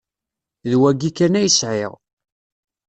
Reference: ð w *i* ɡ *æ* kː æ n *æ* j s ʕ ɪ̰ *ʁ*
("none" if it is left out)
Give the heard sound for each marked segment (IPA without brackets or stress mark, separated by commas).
æ, i, æ, ʁ